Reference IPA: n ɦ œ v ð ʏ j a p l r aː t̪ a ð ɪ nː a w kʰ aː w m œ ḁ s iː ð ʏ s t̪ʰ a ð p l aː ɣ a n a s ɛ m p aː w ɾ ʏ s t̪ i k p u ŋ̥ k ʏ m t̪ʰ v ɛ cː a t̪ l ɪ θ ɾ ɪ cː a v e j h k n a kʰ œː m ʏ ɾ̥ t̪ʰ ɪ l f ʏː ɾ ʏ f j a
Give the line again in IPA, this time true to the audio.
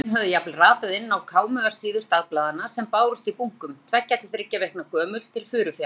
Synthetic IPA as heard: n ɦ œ v ð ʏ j a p l r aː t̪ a ð ɪ nː a w kʰ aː w m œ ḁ s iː ð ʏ s t̪ a ð p l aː ð a n a s ɛ m p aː w ɾ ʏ s t̪ i p u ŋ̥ k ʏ m t̪ʰ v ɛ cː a t̪ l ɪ θ ɾ ɪ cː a v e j h k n a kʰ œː m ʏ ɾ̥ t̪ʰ ɪ l f ʏː ɾ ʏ f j a